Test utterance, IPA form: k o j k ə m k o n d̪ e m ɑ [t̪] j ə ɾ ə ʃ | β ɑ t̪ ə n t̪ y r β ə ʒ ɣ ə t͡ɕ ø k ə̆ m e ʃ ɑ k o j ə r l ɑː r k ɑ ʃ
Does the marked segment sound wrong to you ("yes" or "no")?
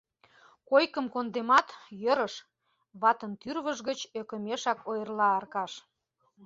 no